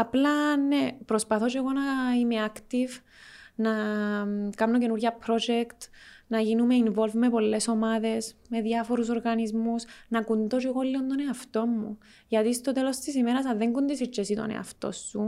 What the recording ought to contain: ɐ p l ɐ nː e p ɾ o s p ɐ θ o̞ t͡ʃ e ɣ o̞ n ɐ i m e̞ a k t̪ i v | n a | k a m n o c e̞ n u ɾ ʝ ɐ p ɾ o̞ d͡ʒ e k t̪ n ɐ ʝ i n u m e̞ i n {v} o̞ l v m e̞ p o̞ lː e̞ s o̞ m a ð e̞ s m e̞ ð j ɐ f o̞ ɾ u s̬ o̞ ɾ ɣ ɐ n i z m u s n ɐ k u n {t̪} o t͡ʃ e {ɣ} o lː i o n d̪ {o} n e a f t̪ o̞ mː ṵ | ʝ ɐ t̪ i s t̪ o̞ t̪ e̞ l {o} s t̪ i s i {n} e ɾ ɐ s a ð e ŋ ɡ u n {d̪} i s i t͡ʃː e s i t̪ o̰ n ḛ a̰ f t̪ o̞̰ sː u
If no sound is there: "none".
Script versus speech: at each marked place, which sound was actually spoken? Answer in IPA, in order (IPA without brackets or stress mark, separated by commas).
v, d̪, ɣ, o, o, m, d̪